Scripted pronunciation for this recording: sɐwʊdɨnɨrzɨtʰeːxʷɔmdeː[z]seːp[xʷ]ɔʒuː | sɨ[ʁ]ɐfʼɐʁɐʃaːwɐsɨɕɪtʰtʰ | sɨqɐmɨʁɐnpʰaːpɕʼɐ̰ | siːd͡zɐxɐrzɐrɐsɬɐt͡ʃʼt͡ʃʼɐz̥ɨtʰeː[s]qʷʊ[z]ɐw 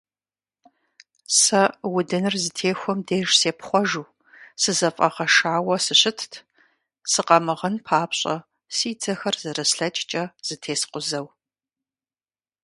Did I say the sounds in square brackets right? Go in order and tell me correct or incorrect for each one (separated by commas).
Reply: incorrect, incorrect, incorrect, correct, correct